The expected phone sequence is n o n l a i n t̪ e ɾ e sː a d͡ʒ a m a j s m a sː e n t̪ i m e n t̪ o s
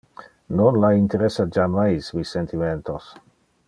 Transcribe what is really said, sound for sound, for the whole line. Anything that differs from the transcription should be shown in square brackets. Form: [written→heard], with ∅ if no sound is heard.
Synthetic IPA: n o n l a i n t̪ e ɾ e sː a d͡ʒ a m a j s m [a→i] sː e n t̪ i m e n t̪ o s